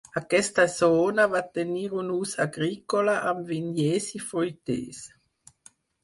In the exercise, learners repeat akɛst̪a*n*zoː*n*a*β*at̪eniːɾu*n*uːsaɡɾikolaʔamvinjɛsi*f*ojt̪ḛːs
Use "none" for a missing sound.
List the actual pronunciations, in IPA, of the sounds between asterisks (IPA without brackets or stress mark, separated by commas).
none, n, v, n, f